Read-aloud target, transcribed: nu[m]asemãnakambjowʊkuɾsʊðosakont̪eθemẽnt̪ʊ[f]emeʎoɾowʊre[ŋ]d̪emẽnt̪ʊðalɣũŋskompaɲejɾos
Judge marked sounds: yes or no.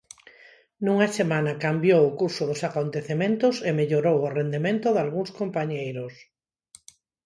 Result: no, no, no

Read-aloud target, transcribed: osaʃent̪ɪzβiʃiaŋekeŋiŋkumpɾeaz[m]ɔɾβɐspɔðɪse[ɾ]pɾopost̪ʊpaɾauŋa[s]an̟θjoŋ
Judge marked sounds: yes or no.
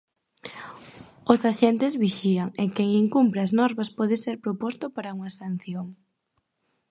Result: no, yes, yes

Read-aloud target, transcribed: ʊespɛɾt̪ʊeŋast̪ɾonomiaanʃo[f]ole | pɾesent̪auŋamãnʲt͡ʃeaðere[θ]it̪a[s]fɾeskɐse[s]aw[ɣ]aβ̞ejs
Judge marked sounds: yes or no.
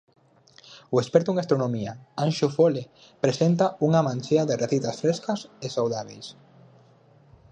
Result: yes, yes, yes, yes, no

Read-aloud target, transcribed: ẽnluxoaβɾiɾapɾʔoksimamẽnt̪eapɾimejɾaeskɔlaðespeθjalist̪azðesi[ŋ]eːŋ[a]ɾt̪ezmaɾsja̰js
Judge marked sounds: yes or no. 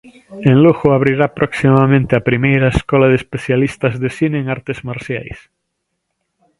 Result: no, yes

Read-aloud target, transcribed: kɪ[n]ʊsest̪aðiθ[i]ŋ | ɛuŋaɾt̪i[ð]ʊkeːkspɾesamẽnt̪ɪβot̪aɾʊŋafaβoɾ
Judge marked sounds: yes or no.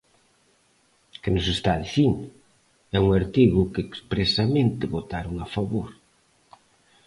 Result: yes, yes, no

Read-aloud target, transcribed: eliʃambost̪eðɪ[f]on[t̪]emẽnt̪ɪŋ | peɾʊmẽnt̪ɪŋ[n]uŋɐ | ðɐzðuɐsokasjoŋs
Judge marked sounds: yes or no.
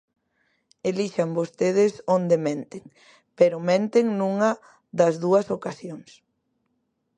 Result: no, no, yes

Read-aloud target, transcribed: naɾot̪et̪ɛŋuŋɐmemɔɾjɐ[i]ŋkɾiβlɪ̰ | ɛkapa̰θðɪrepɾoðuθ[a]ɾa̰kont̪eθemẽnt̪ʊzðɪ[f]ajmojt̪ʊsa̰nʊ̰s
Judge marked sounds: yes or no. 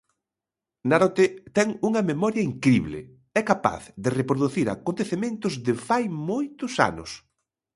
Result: yes, no, yes

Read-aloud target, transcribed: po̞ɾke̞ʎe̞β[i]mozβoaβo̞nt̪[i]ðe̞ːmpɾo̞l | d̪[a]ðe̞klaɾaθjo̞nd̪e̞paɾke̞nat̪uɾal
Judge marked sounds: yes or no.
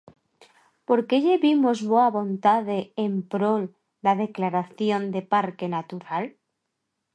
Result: yes, no, yes

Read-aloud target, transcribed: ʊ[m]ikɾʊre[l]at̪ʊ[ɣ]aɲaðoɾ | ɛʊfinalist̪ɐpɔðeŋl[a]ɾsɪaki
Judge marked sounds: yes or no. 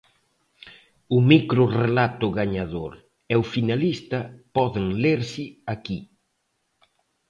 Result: yes, yes, yes, no

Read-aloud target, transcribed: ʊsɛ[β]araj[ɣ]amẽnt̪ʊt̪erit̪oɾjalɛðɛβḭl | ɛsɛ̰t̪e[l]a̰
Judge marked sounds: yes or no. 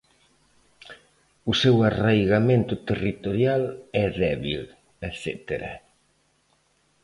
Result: no, yes, no

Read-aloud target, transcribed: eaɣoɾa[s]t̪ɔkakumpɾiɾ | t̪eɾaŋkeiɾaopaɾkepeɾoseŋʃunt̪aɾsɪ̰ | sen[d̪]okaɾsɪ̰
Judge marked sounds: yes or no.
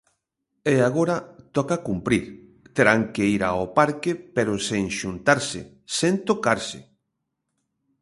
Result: no, no

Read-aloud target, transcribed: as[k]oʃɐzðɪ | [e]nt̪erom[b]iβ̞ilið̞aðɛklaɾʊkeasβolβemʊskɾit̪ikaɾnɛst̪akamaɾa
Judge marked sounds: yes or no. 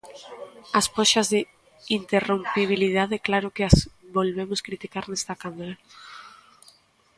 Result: no, no, no

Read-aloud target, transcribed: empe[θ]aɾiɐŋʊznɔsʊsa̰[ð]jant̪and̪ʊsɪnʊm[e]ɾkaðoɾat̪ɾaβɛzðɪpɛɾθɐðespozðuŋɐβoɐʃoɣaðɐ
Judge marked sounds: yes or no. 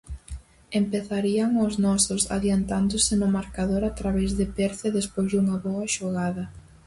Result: yes, yes, no

